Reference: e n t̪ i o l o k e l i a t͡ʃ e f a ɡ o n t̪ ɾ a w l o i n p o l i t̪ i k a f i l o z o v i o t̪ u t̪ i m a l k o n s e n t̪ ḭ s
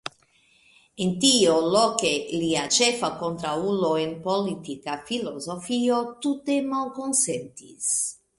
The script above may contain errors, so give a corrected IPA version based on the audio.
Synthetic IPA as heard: e n t̪ i o l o k e l i a t͡ʃ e f a k o n t̪ ɾ a u l o e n p o l i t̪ i k a f i l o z o f i o t̪ u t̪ e m a l k o n s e n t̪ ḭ s